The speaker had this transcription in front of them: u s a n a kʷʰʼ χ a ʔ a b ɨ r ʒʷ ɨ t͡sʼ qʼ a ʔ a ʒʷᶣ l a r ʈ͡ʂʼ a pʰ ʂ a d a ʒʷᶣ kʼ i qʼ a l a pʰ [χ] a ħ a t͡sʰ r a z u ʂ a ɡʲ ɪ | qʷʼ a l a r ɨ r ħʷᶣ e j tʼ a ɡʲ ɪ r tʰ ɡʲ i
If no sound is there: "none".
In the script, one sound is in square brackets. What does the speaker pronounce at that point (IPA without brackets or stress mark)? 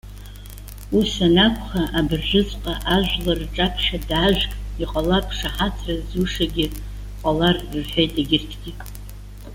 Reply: ʂ